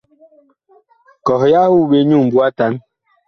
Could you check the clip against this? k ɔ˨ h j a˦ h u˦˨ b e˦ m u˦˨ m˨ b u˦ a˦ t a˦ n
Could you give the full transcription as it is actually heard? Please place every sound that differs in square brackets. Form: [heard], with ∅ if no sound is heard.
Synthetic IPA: k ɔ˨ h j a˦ h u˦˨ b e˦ [ɲ] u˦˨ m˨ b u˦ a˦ t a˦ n